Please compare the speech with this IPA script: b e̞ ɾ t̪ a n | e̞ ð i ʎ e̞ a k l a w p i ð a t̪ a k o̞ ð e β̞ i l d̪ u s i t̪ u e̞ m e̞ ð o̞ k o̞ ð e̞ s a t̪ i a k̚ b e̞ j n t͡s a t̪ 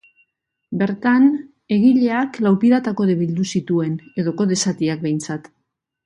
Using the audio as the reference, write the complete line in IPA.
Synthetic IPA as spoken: b e̞ ɾ t̪ a n | e̞ ɣ i ʎ e̞ a k l a w p i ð a t̪ a k o̞ ð e β̞ i l d̪ u s i t̪ u e̞ n e̞ ð o̞ k o̞ ð e̞ s a t̪ i a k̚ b e̞ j n t͡s a t̪